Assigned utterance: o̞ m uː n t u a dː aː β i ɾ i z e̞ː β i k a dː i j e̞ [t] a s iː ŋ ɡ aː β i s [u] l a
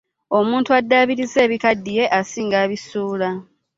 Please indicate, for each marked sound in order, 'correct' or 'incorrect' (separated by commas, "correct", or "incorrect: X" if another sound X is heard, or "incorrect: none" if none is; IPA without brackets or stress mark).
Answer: incorrect: ʔ, incorrect: uː